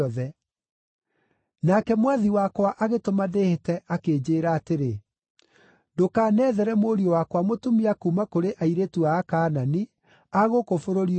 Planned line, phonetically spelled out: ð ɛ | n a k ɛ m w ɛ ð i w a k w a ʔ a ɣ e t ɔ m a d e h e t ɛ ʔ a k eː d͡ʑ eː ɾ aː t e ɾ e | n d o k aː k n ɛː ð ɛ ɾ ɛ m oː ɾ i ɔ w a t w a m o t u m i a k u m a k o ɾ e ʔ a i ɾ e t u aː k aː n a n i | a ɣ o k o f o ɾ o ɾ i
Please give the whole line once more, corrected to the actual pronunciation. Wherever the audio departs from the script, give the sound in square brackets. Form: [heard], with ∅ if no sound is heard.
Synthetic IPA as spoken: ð ɛ | n a k ɛ m w [a] ð i w a k w a ʔ a ɣ e t [o] m a d e h e t ɛ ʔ a k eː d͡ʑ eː ɾ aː t e ɾ e | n d o k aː [∅] n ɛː ð ɛ ɾ ɛ m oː ɾ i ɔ w a [k] w a m o t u m i a k u m a k o ɾ e ʔ a i ɾ e t u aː k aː n a n i | a ɣ o k o f o ɾ o ɾ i

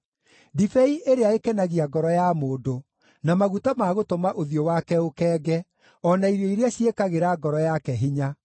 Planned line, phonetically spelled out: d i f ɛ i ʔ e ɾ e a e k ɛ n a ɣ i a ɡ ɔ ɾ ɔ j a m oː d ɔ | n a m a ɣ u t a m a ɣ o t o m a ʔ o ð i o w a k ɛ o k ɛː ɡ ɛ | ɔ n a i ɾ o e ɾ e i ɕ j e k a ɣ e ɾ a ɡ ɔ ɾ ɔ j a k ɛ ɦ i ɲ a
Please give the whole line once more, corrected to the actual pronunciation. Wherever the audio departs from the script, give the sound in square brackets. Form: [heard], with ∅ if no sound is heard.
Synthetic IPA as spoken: d i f ɛ i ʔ e ɾ e a e k ɛ n a ɣ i a ɡ ɔ ɾ ɔ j a m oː d [o] | n a m a ɣ u t a m a ɣ o t o m a ʔ o ð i o w a k ɛ o k ɛː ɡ ɛ | ɔ n a i ɾ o [i] ɾ e [a] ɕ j e k a ɣ e ɾ a ɡ ɔ ɾ ɔ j a k ɛ ɦ i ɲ a

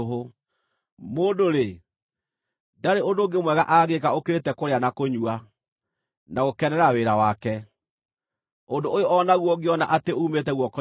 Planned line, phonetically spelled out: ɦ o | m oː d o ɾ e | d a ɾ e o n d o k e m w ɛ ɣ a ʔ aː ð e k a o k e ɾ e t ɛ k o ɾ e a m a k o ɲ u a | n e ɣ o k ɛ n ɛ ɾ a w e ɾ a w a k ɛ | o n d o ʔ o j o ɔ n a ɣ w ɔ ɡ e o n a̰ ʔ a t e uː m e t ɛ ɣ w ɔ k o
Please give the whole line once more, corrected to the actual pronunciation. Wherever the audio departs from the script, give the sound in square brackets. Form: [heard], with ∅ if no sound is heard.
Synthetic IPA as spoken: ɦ o | m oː d o ɾ e | d a ɾ e o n d o [ɡ] e m w ɛ ɣ a ʔ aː [ɣ] e k a o k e ɾ e t ɛ k o ɾ e a [n] a k o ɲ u a | n [a] ɣ o k ɛ n ɛ ɾ a w e ɾ a w a k ɛ | o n d o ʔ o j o ɔ n a ɣ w ɔ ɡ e [ɔ] n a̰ ʔ a t e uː m e t ɛ ɣ w ɔ k [ɔ]

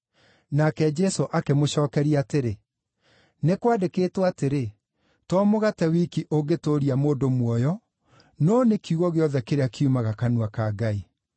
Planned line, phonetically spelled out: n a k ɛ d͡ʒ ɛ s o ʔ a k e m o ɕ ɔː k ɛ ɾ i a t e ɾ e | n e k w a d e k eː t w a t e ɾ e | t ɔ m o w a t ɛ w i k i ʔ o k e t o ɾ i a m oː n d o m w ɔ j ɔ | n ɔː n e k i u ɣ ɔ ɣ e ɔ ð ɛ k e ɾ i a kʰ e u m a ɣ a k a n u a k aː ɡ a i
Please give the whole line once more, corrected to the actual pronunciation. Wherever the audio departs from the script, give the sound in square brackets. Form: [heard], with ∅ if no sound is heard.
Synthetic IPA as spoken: n a k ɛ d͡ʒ ɛ s o ʔ a k e m o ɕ ɔː k ɛ ɾ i a t e ɾ e | n e k w a d e k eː t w a t e ɾ e | t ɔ m o [ɣ] a t ɛ w i k i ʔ o [ɡ] e t o ɾ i a m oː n d o m w ɔ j ɔ | n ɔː n e k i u ɣ ɔ ɣ e ɔ ð ɛ k e ɾ [e] a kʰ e u m a ɣ a k a n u a k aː ɡ a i

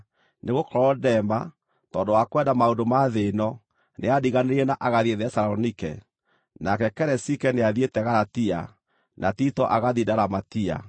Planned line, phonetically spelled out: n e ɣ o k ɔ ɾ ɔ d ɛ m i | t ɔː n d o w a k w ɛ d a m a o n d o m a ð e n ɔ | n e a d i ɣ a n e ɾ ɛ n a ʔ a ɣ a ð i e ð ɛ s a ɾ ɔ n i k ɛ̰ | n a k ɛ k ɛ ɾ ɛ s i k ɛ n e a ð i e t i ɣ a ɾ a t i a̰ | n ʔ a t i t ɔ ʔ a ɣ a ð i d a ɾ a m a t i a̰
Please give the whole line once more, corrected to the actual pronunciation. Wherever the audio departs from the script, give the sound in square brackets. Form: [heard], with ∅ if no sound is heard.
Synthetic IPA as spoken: n e ɣ o k ɔ ɾ ɔ d ɛ m [a] | t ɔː n d o w a k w ɛ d a m a o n d o m a ð e n ɔ | n e a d i ɣ a n e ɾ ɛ n a ʔ a ɣ a ð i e ð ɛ s a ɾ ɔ n i k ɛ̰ | n a k ɛ k ɛ ɾ ɛ s i k ɛ n e a ð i e t [ɛ] ɣ a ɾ a t i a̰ | n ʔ a t i t ɔ ʔ a ɣ a ð i d a ɾ a m a t i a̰

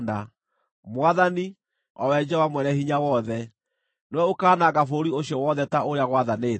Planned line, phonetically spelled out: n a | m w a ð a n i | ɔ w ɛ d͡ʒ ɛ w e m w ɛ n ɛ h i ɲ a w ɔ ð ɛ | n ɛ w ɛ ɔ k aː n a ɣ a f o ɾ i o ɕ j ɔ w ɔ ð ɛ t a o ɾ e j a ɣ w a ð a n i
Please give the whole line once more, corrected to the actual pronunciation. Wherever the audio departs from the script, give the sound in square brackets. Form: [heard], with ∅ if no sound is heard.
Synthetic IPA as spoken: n a | m w a ð a n i | ɔ w ɛ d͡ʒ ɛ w [a] m w ɛ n ɛ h i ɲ a w ɔ ð ɛ | n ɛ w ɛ [o] k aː n a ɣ a f o ɾ i o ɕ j ɔ w ɔ ð ɛ t a o ɾ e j a ɣ w a ð a n [e]

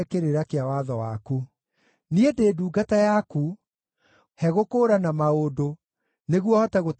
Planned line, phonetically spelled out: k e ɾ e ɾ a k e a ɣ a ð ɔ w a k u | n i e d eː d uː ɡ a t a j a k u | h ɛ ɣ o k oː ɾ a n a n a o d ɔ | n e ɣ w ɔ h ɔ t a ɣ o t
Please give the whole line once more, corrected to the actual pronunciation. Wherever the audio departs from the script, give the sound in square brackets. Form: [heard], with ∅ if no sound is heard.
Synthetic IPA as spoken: k e ɾ e ɾ a k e a [w] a ð ɔ w a k u | n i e d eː d uː ɡ a t a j a k u | h ɛ ɣ o k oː ɾ a n a [m] a o d [o] | n e ɣ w ɔ h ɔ t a ɣ o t

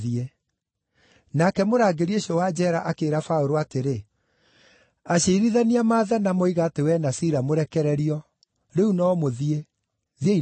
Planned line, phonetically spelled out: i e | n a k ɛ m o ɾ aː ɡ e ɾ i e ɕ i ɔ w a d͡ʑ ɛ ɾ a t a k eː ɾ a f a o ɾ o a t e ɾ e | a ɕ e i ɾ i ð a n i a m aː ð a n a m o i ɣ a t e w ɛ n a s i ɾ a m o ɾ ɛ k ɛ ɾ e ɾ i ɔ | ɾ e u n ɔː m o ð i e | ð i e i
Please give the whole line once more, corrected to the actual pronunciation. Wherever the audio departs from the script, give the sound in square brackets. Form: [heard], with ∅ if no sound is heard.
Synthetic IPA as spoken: i e | n a k ɛ m o ɾ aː ɡ e ɾ i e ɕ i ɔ w a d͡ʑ ɛ ɾ a [ʔ] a k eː ɾ a f a o ɾ o a t e ɾ e | a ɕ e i ɾ i ð a n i a m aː ð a n a m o i ɣ a t e w ɛ n a s i ɾ a m o ɾ ɛ k ɛ ɾ [ɛ] ɾ i ɔ | ɾ e u n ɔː m o ð i e | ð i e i

